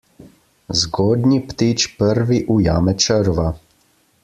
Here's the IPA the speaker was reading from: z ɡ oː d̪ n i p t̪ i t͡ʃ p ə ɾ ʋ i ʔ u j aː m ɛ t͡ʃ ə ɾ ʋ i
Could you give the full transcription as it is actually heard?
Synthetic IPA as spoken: z ɡ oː d̪ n i p t̪ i t͡ʃ p ə ɾ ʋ i ʔ u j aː m ɛ t͡ʃ ə ɾ ʋ a

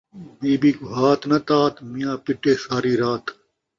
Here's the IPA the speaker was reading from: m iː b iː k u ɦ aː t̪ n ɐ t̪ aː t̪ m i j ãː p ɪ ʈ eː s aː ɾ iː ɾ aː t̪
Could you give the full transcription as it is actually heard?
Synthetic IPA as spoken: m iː b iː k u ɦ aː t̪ n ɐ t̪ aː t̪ m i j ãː p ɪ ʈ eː s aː ɾ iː ɾ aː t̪

